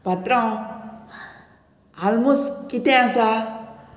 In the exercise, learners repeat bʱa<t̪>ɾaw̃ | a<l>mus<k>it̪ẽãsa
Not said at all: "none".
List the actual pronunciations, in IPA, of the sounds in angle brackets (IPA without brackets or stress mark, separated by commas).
t̪, l, k